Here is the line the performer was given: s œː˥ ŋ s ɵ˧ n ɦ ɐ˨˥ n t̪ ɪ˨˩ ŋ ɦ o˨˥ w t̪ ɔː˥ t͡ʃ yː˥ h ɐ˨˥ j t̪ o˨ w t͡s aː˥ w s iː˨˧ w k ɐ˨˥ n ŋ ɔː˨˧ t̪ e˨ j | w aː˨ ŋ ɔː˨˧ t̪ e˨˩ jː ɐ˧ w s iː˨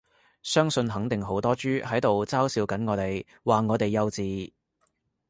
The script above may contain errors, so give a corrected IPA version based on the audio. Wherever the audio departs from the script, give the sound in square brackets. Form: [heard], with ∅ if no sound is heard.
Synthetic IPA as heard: s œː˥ ŋ s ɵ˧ n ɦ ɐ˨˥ [ŋ] t̪ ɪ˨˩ ŋ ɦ o˨˥ w t̪ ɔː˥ t͡ʃ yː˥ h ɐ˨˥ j t̪ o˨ w t͡s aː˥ w s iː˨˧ w k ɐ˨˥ n ŋ ɔː˨˧ t̪ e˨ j | w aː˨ ŋ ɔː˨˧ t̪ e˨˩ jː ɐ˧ w [t͡s] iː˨